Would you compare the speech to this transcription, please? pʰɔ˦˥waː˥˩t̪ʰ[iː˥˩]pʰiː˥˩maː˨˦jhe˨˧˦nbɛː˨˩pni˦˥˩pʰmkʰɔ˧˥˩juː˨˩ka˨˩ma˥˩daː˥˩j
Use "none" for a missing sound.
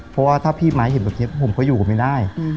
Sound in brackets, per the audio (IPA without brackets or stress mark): aː˥˩